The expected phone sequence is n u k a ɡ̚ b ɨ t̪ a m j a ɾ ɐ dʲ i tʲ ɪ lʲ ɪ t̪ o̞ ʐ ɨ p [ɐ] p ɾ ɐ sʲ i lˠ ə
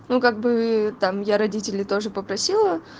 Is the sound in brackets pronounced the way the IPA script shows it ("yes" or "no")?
no